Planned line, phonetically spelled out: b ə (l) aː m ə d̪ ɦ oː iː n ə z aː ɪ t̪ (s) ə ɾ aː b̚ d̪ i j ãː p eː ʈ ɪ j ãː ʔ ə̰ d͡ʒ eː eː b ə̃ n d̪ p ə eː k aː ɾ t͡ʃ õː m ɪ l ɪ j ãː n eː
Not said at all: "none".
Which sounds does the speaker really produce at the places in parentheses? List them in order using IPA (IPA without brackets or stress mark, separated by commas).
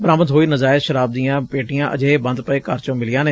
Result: ɾ, ʃ